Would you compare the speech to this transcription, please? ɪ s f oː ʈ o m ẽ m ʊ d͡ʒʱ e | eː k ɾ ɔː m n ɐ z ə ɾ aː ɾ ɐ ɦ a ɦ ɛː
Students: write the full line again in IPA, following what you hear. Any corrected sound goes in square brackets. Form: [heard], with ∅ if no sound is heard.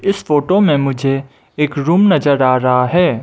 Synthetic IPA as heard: ɪ s f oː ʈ o m ẽ m ʊ d͡ʒʱ e | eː k ɾ [uː] m n ɐ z ə ɾ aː ɾ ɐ ɦ a ɦ ɛː